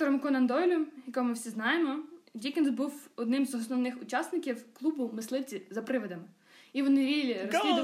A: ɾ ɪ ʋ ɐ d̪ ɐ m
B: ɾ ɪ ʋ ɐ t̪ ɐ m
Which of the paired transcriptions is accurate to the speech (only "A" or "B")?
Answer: A